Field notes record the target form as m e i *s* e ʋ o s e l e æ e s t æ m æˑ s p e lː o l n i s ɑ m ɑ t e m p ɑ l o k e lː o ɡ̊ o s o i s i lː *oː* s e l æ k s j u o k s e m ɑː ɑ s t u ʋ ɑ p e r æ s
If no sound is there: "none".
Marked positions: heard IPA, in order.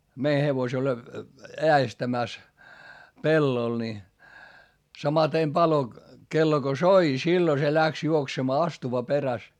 h, o

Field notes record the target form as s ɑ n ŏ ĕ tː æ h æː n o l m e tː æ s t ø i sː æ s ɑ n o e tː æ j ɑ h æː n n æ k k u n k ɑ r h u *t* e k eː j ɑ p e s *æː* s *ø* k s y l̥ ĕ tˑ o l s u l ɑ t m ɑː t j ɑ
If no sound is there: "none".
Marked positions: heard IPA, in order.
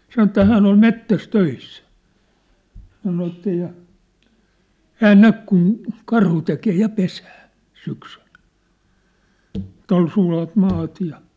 t, æː, y

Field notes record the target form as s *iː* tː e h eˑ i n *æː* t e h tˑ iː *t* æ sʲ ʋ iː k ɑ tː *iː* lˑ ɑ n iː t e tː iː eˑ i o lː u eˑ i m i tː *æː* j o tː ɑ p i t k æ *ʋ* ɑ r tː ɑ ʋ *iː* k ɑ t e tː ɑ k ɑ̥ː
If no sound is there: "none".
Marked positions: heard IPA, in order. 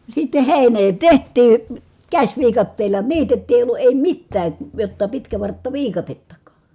i, eː, k, eː, æː, ʋ, iː

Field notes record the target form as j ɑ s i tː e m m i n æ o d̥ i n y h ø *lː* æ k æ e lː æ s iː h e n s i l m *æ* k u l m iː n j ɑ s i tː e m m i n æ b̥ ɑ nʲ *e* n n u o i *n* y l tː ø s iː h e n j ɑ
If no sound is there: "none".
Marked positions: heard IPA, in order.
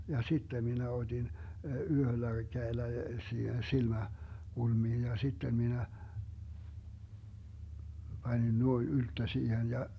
lː, æ, i, n

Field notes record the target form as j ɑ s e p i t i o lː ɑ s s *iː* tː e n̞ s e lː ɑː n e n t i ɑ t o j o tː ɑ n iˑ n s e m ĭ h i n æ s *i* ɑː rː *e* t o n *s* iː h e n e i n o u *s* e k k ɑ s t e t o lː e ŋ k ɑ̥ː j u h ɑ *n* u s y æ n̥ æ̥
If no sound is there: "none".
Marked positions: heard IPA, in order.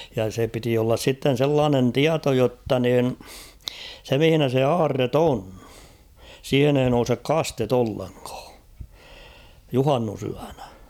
i, e, e, s, s, nː

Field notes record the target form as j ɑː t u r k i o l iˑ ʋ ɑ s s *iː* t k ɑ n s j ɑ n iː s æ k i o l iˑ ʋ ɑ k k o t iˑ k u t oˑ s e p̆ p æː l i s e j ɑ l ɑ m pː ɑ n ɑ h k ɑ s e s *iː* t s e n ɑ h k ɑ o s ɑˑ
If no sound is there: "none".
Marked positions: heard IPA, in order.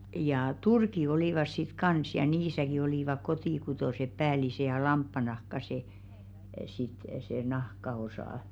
i, i

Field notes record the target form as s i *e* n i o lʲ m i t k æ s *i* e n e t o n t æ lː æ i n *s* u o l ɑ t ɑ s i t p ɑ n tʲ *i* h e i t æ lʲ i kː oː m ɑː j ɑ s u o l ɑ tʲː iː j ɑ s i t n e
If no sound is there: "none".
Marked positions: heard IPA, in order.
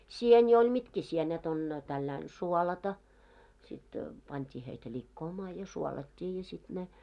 e, i, s, iː

